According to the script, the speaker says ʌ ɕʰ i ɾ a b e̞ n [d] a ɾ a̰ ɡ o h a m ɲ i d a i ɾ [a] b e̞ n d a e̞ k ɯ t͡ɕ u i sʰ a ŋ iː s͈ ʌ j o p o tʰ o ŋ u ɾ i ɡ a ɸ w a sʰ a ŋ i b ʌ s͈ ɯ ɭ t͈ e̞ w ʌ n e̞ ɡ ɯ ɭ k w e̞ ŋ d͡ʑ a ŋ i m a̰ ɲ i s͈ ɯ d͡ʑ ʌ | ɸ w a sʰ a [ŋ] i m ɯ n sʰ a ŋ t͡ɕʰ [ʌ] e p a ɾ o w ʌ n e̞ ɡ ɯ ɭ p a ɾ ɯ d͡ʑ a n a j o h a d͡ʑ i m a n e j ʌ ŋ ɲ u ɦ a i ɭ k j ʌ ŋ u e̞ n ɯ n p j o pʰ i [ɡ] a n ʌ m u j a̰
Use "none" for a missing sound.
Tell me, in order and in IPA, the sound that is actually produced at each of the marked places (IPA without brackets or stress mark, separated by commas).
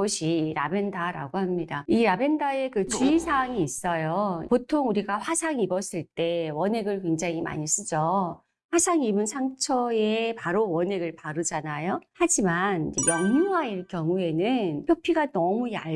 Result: d, a, ŋ, ʌ, ɡ